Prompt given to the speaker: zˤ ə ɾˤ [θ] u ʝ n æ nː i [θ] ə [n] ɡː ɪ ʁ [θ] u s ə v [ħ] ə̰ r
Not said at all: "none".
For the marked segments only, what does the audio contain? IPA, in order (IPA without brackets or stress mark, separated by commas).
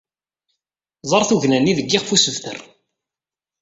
θ, ð, none, f, θ